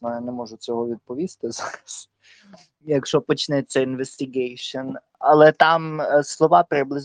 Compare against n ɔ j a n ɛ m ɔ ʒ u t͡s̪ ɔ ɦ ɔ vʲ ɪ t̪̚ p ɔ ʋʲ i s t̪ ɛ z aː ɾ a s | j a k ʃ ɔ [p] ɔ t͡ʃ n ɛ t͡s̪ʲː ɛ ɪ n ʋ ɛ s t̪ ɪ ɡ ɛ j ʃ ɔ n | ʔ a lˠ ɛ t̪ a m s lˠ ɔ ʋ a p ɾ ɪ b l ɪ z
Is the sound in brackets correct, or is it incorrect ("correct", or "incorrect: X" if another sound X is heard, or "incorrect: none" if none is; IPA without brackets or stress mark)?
correct